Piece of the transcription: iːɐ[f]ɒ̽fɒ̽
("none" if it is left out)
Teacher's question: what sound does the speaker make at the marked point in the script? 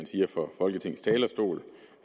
f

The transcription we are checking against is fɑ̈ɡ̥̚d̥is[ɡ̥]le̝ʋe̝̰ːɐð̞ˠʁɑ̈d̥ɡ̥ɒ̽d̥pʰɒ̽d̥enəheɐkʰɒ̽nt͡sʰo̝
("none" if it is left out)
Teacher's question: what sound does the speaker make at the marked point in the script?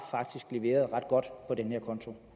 ɡ̥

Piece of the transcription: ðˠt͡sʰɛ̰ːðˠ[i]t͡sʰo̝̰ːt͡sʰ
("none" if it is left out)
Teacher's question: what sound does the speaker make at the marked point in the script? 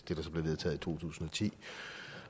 i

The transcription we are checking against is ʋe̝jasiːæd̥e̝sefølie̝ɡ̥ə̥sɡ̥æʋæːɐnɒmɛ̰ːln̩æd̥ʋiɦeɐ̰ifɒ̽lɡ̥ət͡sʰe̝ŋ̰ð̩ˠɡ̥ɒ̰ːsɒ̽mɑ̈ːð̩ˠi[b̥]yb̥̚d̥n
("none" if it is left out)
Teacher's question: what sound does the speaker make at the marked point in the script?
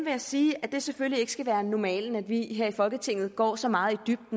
d̥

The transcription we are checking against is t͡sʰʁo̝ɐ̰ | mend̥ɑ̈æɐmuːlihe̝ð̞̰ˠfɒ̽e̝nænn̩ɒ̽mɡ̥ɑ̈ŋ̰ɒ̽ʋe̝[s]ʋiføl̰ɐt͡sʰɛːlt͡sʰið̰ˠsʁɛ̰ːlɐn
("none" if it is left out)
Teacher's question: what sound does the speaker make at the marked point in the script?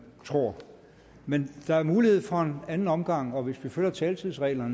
s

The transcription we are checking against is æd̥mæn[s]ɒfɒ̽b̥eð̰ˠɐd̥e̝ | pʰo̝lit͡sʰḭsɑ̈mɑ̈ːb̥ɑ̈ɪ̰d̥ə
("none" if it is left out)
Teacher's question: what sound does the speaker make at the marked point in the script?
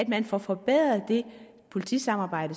f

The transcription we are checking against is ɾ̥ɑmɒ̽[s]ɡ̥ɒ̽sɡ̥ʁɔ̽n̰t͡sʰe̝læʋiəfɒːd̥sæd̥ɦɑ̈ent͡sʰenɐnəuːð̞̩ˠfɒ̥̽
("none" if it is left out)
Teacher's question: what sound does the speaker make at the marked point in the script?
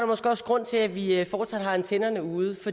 s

